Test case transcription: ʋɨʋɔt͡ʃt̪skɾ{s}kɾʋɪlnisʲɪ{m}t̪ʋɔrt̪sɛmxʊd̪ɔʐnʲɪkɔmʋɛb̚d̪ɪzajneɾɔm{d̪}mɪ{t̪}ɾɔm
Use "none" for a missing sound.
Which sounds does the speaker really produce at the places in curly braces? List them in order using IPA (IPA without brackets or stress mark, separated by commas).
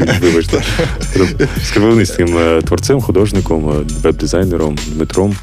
s, m, d̪, t̪